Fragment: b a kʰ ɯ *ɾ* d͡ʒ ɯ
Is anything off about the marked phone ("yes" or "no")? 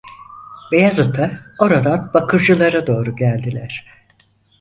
no